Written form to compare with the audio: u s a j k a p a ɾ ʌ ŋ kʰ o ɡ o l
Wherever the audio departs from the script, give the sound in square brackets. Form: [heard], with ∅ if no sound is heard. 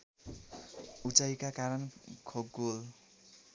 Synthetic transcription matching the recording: u [t͡s] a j k a [k] a ɾ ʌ [n] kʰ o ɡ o l